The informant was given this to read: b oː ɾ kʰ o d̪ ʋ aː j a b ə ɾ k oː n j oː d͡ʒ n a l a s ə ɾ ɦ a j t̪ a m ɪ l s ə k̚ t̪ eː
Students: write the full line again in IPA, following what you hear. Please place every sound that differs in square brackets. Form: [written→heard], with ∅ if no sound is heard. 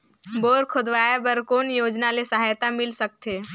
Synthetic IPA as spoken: b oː ɾ kʰ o d̪ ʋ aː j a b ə ɾ k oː n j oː d͡ʒ n a l [a→e] s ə [ɾ→∅] ɦ a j t̪ a m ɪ l s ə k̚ t̪ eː